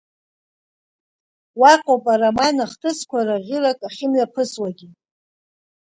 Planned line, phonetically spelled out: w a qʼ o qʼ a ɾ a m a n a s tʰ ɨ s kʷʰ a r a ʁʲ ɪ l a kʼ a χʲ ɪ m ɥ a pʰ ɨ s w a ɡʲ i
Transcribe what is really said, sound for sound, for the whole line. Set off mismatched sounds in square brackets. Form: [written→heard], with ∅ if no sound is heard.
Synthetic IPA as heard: w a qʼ o [qʼ→pʼ] a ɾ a m a n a [s→χ] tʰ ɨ s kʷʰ a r a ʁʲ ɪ l a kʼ a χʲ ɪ m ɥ a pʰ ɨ s w a ɡʲ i